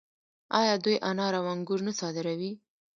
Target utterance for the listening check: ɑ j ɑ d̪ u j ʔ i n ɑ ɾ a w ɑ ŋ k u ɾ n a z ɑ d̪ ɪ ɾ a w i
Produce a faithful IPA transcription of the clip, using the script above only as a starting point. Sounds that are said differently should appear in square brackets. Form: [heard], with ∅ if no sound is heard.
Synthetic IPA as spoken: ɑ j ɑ d̪ u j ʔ [a] n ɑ ɾ a w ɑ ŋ [ɡ] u ɾ n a [s] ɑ d̪ ɪ ɾ a w i